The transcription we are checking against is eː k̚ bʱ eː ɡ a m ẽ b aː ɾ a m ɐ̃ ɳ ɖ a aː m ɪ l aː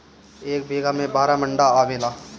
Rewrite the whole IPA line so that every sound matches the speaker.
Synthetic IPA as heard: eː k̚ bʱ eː ɡ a m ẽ b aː ɾ a m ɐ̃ ɳ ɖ a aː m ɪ l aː